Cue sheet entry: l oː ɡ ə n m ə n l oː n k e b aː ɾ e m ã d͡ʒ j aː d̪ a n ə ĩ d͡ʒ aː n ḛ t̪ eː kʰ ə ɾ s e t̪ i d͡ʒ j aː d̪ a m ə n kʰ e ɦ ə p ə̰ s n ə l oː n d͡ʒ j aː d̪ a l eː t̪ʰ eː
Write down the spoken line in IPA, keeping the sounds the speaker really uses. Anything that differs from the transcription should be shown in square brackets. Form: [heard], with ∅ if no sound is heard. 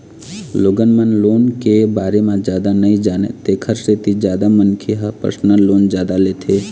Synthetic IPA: l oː ɡ ə n m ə n l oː n k e b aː ɾ e m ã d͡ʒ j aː d̪ a n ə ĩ d͡ʒ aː n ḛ t̪ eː kʰ ə ɾ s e t̪ i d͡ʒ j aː d̪ a m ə n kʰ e ɦ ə p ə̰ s n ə l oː n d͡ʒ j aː d̪ a l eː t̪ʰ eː